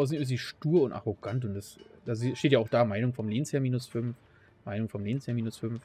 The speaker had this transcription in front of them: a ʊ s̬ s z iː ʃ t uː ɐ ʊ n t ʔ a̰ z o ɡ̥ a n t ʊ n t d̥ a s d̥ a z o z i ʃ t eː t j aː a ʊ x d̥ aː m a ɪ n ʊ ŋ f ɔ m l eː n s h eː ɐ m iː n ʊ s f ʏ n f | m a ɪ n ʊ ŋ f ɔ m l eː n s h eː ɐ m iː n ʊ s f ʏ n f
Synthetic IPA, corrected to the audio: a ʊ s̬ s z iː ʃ t uː ɐ ʊ n t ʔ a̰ ʁ o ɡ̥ a n t ʊ n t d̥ a s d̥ a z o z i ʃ t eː t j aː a ʊ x d̥ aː m a ɪ n ʊ ŋ f ɔ m l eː n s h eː ɐ m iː n ʊ s f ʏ n f | m a ɪ n ʊ ŋ f ɔ m l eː n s h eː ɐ m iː n ʊ s f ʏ n f